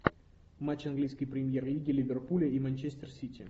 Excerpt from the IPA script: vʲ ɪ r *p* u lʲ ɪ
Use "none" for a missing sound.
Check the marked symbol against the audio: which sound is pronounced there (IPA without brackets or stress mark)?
p